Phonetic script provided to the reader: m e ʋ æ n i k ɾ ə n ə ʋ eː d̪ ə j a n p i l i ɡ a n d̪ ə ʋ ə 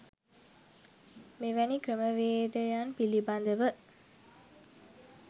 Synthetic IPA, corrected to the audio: m e ʋ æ n i k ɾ ə m ə ʋ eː d̪ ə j a n p i l i b a n d̪ ə ʋ ə